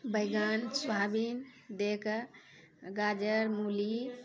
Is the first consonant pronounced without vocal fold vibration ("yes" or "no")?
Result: no